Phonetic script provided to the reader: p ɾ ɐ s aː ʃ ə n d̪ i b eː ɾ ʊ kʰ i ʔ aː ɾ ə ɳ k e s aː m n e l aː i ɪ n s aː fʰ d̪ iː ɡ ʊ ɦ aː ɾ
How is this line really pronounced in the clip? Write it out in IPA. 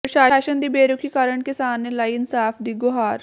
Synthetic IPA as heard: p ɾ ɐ ʃ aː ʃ ə n d̪ i b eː ɾ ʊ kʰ i k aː ɾ ə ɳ k e s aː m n e l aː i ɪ n s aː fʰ d̪ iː ɡ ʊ ɦ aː ɾ